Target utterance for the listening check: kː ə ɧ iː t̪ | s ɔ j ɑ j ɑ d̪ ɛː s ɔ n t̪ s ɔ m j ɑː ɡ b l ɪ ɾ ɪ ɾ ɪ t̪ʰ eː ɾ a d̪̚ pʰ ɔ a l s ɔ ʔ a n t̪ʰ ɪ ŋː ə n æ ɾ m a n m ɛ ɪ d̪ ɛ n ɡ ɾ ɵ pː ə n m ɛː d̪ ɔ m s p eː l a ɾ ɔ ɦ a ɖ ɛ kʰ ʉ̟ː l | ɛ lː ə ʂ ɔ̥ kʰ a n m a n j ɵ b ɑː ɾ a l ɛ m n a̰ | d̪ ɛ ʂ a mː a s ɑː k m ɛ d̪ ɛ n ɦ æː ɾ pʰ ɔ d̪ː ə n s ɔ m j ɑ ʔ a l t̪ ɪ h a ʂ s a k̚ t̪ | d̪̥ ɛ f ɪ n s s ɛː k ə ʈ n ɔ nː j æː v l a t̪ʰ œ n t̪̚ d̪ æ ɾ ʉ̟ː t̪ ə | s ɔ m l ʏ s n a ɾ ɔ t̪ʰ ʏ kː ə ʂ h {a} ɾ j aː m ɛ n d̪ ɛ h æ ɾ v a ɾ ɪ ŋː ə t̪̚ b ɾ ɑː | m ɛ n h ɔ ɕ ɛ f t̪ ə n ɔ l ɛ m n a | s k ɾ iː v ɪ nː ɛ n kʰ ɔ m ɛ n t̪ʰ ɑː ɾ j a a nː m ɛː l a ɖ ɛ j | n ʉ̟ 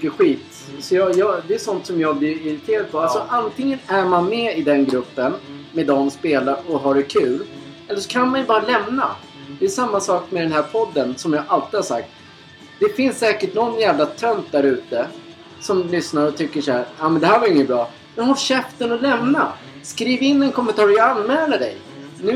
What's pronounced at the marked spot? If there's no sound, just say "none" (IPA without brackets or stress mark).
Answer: æ